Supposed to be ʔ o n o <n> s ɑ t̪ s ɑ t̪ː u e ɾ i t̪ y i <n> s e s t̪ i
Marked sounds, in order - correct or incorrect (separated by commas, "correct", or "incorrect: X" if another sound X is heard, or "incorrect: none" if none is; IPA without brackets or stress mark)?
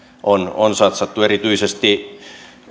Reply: correct, incorrect: none